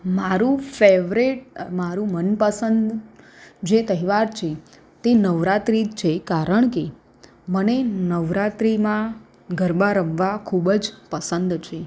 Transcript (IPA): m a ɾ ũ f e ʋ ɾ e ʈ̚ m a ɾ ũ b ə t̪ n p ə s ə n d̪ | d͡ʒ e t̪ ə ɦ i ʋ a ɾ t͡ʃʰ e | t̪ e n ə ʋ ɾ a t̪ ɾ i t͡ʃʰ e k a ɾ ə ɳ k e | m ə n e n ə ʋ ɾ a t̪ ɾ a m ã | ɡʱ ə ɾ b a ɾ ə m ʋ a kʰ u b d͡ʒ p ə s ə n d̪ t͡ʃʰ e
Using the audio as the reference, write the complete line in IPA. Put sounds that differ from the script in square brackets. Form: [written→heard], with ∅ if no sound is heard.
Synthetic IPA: m a ɾ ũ f e ʋ ɾ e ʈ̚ m a ɾ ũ [b→m] ə [t̪→∅] n p ə s ə n d̪ | d͡ʒ e t̪ ə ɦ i ʋ a ɾ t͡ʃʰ e | t̪ e n ə ʋ ɾ a t̪ ɾ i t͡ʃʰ e k a ɾ ə ɳ k e | m ə n e n ə ʋ ɾ a t̪ ɾ [a→i] m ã | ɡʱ ə ɾ b a ɾ ə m ʋ a kʰ u b d͡ʒ p ə s ə n d̪ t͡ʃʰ e